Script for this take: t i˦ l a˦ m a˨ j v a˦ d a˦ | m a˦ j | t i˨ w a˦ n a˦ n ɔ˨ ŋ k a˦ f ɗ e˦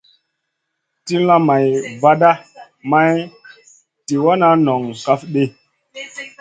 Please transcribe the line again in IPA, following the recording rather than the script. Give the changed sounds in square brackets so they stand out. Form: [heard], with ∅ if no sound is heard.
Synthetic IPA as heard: t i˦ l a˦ m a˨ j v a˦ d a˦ | m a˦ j | t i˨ w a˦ n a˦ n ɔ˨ ŋ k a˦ f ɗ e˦